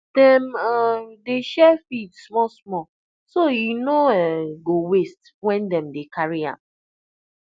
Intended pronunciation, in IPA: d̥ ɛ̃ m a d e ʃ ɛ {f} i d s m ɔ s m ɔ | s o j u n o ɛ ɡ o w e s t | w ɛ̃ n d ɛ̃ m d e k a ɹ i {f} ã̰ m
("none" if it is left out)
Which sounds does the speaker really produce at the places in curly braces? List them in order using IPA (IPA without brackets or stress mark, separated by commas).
f, none